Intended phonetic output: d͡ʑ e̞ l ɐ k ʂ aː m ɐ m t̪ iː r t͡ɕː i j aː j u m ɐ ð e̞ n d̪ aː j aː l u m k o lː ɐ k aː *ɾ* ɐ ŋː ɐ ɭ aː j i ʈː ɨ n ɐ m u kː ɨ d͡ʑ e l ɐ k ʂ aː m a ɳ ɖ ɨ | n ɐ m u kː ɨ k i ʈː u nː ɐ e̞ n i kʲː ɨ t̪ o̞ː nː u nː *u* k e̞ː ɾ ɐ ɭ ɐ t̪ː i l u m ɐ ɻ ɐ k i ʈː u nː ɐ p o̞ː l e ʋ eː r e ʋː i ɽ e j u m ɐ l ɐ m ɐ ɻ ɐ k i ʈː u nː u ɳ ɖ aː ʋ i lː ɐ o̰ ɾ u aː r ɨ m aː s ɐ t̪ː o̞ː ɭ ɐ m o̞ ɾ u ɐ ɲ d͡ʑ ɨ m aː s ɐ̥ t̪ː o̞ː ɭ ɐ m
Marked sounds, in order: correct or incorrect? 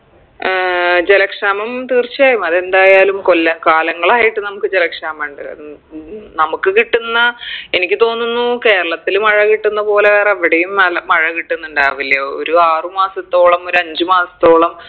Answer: incorrect, correct

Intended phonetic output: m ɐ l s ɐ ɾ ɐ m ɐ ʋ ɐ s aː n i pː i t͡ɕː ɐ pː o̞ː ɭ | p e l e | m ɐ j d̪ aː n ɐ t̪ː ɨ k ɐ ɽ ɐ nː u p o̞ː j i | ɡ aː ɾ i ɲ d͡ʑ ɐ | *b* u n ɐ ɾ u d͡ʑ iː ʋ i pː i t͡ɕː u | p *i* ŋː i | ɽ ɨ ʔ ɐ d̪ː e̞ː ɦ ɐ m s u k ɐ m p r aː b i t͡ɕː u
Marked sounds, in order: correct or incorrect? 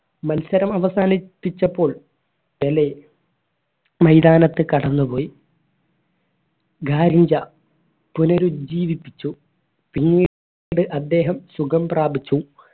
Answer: incorrect, correct

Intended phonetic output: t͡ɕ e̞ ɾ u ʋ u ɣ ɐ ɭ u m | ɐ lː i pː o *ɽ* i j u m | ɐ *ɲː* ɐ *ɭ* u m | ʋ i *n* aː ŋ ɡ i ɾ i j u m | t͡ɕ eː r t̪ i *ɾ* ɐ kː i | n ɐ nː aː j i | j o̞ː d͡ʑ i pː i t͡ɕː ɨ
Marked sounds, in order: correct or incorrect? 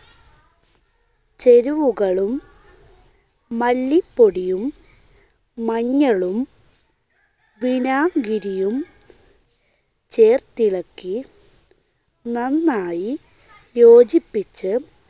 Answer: correct, correct, correct, correct, incorrect

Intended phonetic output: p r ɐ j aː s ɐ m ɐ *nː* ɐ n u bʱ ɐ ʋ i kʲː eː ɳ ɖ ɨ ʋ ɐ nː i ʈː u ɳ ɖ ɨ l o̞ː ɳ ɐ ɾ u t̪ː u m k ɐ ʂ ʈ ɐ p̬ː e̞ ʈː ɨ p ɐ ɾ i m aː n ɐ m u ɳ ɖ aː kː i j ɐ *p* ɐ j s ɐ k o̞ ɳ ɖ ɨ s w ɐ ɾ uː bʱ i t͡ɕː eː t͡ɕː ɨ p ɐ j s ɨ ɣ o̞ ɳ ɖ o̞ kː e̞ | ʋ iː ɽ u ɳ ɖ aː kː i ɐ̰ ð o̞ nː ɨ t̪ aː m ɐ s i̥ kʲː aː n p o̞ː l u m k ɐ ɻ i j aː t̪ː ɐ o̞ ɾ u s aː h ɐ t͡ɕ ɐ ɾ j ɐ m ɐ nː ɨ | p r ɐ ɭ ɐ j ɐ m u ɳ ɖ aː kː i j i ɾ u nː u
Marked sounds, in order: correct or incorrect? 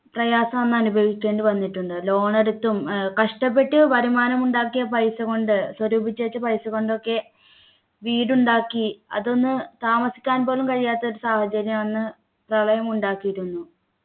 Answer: correct, correct

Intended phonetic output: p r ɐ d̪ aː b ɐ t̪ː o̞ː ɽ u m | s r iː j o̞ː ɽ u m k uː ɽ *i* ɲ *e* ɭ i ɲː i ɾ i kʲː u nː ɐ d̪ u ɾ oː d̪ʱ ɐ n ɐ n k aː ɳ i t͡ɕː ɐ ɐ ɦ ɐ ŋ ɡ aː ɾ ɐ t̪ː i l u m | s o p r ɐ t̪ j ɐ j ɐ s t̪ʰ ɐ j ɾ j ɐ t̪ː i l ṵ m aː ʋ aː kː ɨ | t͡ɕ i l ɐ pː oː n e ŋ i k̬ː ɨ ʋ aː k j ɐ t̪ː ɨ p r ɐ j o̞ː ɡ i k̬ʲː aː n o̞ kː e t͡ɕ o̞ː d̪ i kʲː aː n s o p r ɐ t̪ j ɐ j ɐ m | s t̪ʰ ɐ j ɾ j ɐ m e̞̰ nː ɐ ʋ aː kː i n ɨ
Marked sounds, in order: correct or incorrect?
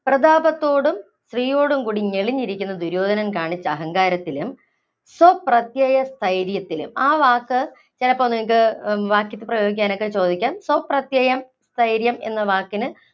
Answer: correct, correct

